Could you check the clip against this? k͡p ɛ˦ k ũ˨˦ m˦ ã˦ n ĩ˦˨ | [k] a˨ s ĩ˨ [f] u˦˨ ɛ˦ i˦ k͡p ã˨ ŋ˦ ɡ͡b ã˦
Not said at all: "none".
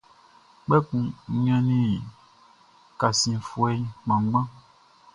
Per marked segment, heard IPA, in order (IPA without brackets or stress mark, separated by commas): k, f